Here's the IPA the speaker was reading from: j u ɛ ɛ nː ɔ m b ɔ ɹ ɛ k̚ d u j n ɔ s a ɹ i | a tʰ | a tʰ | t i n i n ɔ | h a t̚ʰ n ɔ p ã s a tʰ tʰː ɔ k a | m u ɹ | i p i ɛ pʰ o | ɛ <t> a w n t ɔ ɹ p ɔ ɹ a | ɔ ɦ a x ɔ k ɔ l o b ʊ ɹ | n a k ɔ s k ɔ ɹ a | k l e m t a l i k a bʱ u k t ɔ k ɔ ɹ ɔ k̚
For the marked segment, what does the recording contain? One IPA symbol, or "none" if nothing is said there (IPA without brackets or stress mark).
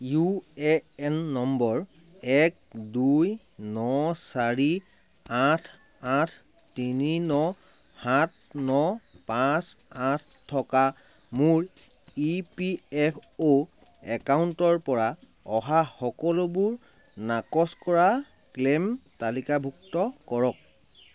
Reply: k